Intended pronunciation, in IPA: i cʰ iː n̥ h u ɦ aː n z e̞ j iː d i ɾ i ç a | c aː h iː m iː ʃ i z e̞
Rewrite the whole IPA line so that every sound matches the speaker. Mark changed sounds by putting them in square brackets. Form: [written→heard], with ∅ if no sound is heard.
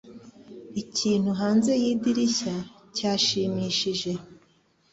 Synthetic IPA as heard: i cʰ iː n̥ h u ɦ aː n z e̞ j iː d i ɾ i ç a | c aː [h→ʃ] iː m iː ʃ i [z→ʒ] e̞

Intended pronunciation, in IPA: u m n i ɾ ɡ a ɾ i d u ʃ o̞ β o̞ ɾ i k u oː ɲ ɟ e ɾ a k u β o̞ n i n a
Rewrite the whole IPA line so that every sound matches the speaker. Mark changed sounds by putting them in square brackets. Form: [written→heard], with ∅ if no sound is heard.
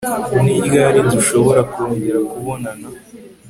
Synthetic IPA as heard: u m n i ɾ ɡ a ɾ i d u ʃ o̞ β o̞ ɾ [i→a] k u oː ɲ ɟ e ɾ a k u β o̞ n [i→a] n a

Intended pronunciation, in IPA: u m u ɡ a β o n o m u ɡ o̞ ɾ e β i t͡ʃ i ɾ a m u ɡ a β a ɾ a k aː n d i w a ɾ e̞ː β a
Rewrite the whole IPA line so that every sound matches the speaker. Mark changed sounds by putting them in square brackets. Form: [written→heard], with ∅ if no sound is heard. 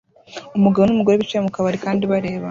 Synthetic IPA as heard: u m u ɡ a β o n [o→u] m u ɡ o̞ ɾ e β i t͡ʃ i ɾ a m u [ɡ→k] a β a ɾ [a→i] k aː n d i [w→β] a ɾ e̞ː β a

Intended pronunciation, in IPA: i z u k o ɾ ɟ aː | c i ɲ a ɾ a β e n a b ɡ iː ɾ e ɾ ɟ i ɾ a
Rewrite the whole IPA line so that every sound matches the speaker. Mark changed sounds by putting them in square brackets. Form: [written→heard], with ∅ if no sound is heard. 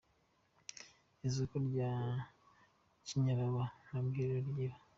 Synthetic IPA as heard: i z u k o ɾ ɟ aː | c i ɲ a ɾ a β [e→a] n a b ɡ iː ɾ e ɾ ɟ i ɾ a

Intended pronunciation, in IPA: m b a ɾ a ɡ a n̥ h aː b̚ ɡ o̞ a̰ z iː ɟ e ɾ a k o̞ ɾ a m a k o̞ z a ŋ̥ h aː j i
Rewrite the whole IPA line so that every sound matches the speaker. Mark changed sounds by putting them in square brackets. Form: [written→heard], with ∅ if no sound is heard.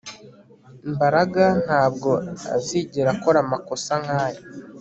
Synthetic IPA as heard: m b a ɾ a ɡ a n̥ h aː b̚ ɡ o̞ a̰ z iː ɟ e ɾ a k o̞ ɾ a m a k o̞ [z→s] a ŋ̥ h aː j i

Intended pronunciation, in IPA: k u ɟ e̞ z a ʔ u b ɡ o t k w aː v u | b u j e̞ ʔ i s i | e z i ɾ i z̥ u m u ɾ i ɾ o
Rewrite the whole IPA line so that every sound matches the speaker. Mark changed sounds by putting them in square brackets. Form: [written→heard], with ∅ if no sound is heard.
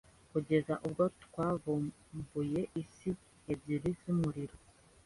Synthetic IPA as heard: k u ɟ e̞ z a ʔ u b ɡ o t k w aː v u | b u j e̞ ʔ i s i | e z i ɾ i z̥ u m u ɾ i ɾ o

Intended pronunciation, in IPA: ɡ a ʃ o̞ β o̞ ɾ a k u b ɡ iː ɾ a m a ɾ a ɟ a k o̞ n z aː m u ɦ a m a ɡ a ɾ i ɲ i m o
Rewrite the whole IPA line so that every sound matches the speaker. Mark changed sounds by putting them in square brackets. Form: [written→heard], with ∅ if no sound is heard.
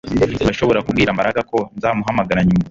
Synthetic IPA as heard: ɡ a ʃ o̞ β o̞ ɾ a k u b ɡ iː ɾ a m a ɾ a [ɟ→ɡ] a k o̞ n z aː m u ɦ a m a ɡ a ɾ [i→a] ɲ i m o

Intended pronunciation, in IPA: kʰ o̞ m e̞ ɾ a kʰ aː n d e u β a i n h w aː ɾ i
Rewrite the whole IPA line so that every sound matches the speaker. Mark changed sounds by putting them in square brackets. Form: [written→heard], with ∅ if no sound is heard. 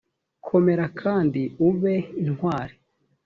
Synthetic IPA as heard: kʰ o̞ m e̞ ɾ a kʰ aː n d [e→i] u β [a→e] i n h w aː ɾ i

